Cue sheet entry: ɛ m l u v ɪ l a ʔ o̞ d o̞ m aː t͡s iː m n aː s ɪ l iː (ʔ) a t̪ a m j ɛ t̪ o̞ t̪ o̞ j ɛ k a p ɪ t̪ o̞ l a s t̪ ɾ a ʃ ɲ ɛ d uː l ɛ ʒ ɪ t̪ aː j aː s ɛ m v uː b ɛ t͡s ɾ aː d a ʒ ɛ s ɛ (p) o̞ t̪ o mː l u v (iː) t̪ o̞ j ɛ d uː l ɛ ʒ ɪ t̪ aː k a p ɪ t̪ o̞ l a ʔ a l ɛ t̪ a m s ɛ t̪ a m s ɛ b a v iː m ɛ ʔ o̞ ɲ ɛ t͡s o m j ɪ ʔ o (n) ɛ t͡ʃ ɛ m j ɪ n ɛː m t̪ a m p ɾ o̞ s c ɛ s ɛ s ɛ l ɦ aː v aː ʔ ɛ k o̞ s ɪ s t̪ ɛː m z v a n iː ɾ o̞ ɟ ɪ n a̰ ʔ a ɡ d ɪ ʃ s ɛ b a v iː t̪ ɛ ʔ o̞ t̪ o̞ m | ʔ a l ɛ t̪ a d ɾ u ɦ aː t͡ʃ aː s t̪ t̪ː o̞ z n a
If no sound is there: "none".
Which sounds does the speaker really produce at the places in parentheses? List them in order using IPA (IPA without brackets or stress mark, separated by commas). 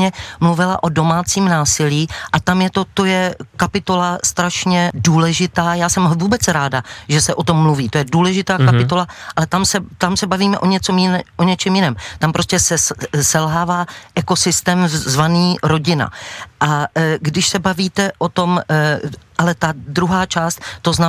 ʔ, ʔ, iː, ɲ